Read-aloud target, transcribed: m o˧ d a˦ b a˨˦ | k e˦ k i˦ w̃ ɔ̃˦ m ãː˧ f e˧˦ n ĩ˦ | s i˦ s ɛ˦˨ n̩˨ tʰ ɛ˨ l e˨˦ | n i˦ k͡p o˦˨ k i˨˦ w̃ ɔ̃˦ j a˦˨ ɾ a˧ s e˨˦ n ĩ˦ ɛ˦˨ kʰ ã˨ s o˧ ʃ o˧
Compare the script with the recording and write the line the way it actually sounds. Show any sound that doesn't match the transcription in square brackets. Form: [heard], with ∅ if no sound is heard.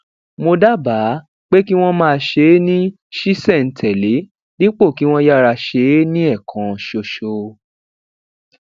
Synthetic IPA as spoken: m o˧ d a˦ b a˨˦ | [k͡p] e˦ k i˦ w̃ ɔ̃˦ m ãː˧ [ʃ] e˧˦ n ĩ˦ | [ʃ] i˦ s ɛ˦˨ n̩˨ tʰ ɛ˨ l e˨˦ | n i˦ k͡p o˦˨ k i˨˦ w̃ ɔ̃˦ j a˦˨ ɾ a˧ [ʃ] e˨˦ n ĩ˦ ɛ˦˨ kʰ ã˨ [ʃ] o˧ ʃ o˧